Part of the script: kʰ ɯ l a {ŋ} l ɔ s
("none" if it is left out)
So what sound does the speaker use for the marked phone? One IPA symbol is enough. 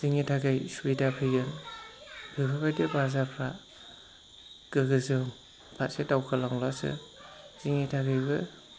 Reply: ŋ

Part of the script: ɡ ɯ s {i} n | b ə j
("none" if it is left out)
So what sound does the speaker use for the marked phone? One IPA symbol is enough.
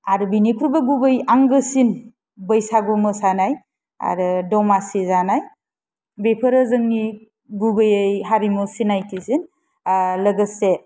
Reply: i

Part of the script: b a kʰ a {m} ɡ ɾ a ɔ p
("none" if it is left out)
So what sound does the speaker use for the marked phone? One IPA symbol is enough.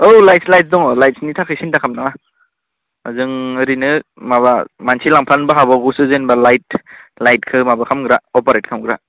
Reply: m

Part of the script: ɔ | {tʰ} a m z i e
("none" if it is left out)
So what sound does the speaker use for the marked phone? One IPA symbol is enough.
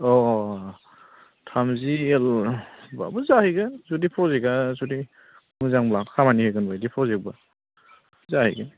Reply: tʰ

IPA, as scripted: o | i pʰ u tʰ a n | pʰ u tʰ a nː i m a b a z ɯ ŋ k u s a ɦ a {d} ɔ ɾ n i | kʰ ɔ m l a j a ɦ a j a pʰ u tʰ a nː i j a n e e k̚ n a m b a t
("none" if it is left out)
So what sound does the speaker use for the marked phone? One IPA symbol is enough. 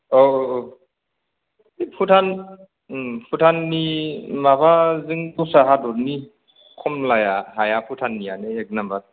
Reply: d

